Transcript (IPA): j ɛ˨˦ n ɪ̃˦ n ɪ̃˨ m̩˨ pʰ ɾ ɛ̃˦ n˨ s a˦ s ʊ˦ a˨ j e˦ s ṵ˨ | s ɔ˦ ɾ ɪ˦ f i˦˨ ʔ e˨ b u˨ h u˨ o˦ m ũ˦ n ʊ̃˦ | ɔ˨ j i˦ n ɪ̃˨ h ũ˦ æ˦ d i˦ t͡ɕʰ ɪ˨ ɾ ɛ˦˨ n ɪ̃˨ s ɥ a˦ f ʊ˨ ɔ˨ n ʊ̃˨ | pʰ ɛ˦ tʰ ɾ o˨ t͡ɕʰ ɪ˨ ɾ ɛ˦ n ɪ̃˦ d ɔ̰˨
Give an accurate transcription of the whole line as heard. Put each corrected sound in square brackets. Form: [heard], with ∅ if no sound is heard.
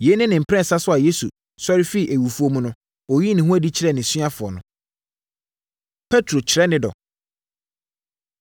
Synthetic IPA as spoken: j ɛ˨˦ n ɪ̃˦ n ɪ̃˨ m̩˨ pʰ ɾ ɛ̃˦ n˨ s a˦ s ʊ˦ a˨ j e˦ s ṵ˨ | s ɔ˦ ɾ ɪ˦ f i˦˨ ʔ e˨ [w] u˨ [f] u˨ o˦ m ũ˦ n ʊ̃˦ | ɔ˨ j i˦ n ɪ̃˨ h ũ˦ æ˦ d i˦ t͡ɕʰ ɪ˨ ɾ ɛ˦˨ n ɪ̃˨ s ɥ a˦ f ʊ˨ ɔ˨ n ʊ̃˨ | pʰ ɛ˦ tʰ ɾ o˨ t͡ɕʰ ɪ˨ ɾ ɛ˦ n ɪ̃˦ d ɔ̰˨